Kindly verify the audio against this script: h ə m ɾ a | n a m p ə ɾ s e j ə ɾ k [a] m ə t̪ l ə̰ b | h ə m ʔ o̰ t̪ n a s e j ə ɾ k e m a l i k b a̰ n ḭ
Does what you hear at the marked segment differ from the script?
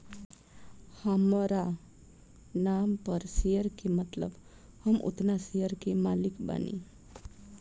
yes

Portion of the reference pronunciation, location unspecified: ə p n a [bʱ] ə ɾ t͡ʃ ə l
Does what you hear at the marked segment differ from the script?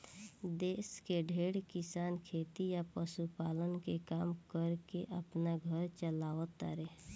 yes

